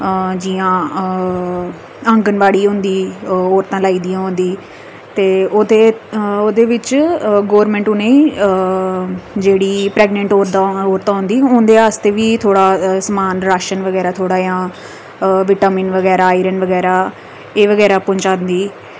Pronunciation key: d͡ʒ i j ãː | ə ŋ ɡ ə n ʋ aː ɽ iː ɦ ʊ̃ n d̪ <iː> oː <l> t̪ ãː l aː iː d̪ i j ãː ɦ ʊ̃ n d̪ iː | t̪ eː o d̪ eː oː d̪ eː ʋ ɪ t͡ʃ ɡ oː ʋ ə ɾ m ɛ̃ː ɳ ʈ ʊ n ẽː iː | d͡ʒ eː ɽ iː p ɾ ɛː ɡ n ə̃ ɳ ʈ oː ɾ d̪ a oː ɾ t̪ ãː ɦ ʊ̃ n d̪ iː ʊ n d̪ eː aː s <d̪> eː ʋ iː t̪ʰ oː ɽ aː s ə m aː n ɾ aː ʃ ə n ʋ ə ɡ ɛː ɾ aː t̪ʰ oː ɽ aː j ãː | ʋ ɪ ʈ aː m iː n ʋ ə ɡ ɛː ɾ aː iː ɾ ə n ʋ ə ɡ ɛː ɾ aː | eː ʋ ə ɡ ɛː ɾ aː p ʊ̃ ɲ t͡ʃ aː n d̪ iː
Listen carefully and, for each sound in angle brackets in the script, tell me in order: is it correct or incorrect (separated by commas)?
correct, incorrect, incorrect